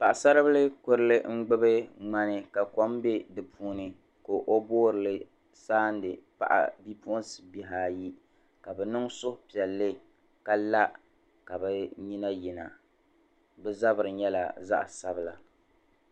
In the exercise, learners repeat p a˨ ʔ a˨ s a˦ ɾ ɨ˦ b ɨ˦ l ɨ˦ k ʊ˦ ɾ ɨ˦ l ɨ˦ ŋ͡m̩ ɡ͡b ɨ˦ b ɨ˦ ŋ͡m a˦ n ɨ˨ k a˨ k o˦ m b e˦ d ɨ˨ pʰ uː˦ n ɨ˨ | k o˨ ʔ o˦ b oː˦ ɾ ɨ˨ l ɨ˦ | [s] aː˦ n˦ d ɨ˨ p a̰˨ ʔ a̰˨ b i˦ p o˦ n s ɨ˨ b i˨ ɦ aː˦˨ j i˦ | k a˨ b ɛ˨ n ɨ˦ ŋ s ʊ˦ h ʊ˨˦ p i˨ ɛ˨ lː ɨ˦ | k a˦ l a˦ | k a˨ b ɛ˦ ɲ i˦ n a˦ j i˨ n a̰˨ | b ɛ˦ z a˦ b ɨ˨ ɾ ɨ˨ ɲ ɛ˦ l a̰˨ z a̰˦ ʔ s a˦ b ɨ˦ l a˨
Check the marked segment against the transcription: correct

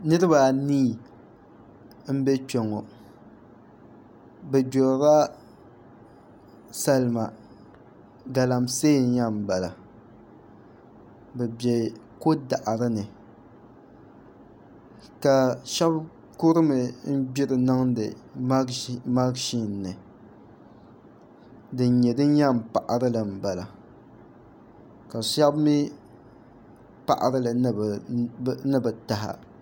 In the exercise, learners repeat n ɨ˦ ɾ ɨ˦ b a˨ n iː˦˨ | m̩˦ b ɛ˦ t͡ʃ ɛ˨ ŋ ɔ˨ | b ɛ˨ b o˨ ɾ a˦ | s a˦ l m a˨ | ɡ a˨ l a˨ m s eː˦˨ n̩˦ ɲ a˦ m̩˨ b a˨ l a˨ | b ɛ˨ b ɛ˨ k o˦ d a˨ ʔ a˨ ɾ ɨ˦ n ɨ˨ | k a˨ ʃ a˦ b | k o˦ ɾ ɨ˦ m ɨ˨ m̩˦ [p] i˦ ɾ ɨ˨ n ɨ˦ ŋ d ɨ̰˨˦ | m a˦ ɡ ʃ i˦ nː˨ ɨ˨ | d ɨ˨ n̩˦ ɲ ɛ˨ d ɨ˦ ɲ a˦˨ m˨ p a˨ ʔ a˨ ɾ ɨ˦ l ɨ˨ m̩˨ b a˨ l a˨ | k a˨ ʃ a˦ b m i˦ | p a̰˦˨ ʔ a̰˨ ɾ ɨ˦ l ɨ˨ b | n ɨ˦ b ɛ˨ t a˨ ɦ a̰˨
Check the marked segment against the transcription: incorrect: b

